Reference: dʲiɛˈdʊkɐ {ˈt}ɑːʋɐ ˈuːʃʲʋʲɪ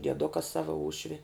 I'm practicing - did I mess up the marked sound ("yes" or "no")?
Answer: yes